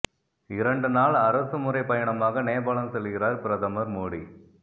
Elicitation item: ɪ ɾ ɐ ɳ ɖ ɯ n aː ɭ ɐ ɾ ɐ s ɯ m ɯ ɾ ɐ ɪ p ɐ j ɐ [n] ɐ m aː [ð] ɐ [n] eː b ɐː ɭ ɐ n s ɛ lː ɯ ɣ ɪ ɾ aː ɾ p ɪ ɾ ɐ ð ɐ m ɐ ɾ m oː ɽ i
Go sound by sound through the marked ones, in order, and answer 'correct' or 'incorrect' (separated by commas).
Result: incorrect, incorrect, correct